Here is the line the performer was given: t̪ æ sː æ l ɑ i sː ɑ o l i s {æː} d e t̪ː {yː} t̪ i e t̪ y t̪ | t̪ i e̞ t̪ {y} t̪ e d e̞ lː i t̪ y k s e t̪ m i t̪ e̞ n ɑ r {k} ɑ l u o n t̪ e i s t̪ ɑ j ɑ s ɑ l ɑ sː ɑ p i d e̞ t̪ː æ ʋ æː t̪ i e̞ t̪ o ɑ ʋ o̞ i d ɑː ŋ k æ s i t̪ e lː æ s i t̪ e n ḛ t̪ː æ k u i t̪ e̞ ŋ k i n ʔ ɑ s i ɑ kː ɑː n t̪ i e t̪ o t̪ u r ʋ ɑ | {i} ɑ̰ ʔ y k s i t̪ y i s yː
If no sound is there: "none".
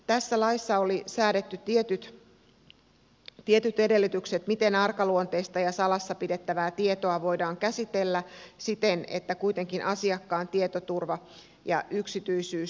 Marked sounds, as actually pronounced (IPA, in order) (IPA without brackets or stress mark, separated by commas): æː, y, y, k, j